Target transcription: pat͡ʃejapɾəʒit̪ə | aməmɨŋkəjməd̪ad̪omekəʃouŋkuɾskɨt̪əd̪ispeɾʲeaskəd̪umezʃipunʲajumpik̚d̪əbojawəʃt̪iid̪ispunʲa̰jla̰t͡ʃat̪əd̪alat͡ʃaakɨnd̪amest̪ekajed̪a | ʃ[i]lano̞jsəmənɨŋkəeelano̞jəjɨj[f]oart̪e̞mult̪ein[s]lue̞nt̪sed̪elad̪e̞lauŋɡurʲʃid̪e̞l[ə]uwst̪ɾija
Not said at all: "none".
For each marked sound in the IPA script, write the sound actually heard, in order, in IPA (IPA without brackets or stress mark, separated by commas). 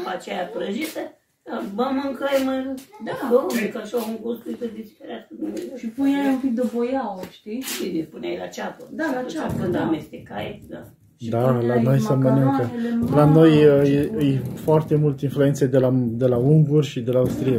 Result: a, f, f, a